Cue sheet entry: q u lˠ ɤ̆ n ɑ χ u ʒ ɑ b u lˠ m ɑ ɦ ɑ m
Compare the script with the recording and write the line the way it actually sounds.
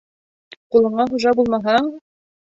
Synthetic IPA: q u lˠ ɤ̆ ɴ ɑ χ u ʒ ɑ b u lˠ m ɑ ɦ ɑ ɴ